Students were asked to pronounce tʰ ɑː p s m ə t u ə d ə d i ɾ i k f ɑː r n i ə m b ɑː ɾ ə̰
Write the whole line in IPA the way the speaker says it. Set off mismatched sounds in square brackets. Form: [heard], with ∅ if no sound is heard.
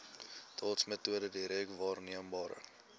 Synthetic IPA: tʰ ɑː [t] s m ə t u ə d ə d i ɾ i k [v] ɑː r n i ə m b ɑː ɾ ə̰